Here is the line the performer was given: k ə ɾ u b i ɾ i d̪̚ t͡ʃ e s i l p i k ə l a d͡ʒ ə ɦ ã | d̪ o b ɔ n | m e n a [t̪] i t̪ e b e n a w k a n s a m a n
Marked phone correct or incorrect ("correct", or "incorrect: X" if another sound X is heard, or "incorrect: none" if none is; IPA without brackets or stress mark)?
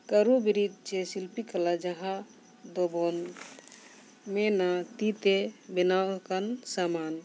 correct